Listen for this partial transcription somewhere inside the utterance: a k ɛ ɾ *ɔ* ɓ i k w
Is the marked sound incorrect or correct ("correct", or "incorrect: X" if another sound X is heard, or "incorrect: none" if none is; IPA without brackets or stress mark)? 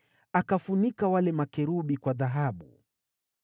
incorrect: u